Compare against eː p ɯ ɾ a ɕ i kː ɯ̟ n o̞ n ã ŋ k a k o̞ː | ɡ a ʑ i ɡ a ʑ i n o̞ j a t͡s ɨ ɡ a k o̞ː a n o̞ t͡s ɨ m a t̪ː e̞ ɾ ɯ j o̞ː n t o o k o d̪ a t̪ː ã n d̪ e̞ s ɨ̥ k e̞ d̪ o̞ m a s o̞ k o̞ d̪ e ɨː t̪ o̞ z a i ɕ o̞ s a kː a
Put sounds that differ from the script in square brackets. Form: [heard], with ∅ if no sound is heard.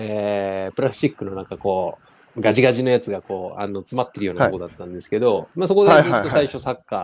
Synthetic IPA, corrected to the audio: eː p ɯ ɾ a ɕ i kː ɯ̟ n o̞ n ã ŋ k a k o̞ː | ɡ a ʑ i ɡ a ʑ i n o̞ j a t͡s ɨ ɡ a k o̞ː a n o̞ t͡s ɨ m a t̪ː e̞ ɾ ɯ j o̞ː n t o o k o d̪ a t̪ː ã n d̪ e̞ s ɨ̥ k e̞ d̪ o̞ m a s o̞ k o̞ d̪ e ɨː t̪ o̞ [s] a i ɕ o̞ s a kː a